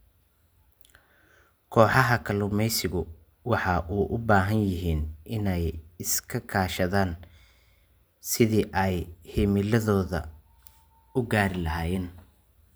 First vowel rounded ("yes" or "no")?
yes